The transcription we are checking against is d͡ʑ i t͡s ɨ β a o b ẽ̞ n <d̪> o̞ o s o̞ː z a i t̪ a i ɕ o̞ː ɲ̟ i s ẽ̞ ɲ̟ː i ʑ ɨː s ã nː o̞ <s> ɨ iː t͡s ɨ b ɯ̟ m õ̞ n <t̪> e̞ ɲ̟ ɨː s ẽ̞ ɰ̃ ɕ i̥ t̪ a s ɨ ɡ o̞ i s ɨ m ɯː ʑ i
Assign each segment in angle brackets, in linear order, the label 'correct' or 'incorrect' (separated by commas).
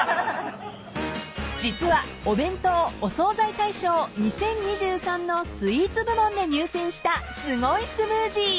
incorrect, correct, incorrect